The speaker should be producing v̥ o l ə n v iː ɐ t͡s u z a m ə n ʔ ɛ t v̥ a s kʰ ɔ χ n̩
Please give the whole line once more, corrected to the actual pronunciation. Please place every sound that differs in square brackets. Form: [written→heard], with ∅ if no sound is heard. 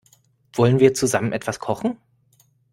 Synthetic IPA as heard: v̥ [o→ɔ] l ə n v iː ɐ t͡s u z a m ə n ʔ ɛ t v̥ a s kʰ ɔ χ n̩